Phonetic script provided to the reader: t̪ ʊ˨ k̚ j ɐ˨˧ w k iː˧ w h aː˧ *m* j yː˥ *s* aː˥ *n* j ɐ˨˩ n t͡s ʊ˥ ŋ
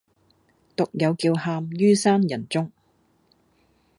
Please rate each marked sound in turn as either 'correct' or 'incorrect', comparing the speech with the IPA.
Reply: correct, correct, correct

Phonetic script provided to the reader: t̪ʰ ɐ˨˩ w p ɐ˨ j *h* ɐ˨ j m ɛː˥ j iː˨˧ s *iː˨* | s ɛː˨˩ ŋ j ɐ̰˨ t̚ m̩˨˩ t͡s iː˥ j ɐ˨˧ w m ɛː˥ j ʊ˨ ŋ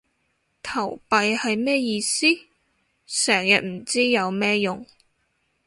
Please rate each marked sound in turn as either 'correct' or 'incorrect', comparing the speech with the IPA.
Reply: correct, incorrect: iː˥

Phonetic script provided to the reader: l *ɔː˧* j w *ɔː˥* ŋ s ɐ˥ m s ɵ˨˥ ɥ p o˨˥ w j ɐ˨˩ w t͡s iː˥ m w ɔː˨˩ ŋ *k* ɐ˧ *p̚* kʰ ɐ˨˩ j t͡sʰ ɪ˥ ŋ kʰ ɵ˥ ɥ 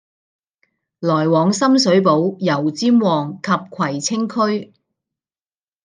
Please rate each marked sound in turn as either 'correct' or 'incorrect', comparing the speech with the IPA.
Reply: incorrect: ɔː˨˩, incorrect: ɔː˨, incorrect: kʰ, correct

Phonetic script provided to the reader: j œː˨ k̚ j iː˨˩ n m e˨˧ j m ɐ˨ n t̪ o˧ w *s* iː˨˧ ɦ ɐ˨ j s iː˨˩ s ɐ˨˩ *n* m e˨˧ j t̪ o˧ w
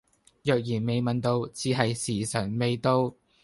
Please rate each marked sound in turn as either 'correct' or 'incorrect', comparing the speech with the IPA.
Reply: incorrect: t͡s, correct

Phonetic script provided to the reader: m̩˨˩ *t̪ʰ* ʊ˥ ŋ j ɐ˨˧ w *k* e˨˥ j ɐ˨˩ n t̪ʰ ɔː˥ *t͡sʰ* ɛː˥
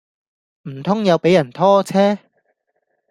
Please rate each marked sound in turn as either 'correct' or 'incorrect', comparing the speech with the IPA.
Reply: correct, incorrect: p, correct

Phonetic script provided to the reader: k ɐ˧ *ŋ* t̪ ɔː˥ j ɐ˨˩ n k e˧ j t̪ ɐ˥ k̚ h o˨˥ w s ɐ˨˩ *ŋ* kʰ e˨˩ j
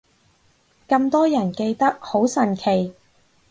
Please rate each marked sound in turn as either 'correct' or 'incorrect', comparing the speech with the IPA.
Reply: incorrect: m, incorrect: n

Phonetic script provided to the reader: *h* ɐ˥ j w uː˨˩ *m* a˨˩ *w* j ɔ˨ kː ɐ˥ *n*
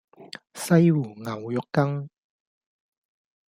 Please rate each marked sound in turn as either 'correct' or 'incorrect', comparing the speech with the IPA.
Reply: incorrect: s, incorrect: ŋ, correct, incorrect: ŋ

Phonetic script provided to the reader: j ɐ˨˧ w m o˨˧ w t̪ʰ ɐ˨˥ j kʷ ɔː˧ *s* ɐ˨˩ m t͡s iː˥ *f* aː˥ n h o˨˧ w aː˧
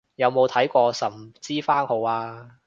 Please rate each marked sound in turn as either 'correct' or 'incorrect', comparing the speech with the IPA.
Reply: correct, correct

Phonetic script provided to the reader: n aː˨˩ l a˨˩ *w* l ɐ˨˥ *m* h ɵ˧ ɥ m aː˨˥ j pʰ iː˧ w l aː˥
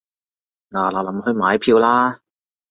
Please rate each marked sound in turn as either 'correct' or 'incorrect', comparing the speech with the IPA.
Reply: incorrect: none, correct

